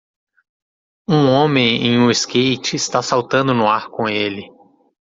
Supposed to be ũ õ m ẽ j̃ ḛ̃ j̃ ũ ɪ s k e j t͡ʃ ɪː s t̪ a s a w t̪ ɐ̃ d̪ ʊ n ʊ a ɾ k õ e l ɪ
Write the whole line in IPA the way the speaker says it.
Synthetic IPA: ũ õ m ẽ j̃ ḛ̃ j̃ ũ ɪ s k e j t͡ʃ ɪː s t̪ a s a w t̪ ɐ̃ d̪ ʊ n ʊ a ɾ k õ e l ɪ